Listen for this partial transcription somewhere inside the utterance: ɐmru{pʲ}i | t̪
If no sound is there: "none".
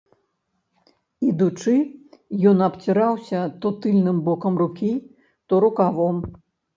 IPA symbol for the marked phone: kʲ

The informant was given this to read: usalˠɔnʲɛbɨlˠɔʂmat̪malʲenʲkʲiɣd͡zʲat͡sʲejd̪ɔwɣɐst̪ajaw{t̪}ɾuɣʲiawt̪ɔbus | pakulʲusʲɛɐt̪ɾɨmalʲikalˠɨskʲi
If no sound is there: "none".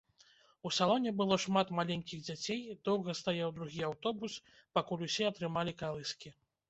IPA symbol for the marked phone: d̪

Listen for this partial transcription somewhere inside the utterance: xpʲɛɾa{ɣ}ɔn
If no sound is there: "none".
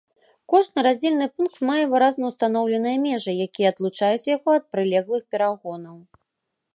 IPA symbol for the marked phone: ɣ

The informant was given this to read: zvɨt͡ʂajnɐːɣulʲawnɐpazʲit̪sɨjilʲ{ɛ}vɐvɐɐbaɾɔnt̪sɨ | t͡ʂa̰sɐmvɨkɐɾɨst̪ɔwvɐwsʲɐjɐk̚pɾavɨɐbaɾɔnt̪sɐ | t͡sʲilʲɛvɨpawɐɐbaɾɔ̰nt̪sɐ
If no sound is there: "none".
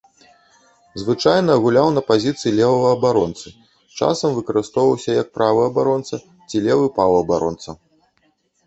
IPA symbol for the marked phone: ɛ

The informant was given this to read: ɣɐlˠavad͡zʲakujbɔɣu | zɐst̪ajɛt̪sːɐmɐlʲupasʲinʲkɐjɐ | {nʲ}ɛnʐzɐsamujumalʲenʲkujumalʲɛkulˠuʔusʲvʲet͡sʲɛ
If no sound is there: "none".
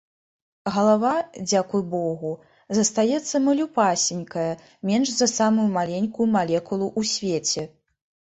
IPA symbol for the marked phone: mʲ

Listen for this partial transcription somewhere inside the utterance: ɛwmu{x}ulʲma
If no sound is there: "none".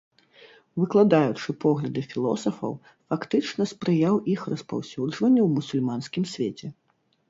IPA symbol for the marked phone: s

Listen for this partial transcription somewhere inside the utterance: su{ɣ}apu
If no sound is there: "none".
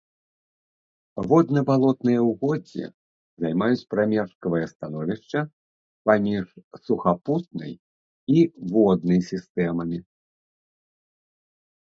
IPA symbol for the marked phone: x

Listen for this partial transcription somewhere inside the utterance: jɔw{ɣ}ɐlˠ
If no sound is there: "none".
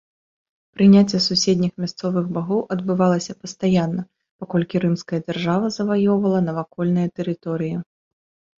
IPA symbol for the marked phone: v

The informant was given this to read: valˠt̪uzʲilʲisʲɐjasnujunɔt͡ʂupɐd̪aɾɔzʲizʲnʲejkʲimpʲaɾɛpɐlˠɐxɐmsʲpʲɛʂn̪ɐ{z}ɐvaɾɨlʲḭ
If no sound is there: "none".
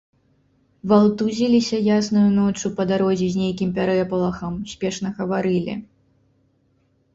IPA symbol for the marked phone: ɣ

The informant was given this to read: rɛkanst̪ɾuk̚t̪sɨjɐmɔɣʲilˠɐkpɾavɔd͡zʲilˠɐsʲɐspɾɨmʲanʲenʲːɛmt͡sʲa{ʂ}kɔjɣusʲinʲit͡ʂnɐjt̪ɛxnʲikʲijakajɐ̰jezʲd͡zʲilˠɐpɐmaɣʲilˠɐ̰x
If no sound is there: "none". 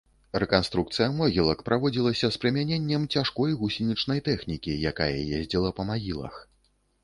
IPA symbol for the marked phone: ʂ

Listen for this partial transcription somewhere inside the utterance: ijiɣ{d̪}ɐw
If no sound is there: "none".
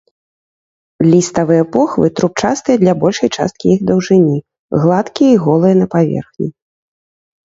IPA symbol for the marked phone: d̪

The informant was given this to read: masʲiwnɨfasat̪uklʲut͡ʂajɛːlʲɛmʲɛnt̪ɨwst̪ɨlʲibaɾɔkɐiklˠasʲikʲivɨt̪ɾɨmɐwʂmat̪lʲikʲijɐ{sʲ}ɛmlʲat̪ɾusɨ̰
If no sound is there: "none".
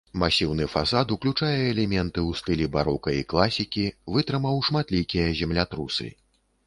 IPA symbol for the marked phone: zʲ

